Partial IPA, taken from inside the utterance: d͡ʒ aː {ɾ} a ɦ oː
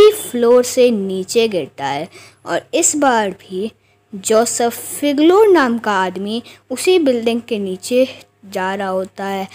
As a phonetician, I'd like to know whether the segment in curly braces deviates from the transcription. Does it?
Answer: no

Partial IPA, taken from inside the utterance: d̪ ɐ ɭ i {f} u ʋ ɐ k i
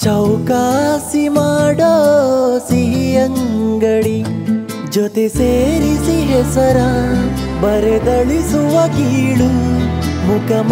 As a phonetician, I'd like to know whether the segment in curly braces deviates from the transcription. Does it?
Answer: yes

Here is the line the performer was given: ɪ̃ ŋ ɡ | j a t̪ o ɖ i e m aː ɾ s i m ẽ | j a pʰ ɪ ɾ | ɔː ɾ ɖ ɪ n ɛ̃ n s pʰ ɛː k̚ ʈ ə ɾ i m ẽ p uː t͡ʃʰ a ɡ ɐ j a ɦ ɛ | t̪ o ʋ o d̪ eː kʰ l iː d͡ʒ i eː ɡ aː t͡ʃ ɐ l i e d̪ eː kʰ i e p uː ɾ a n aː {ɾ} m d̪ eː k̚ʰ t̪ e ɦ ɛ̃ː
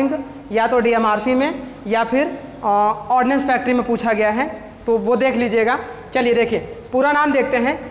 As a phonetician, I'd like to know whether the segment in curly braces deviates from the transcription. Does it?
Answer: yes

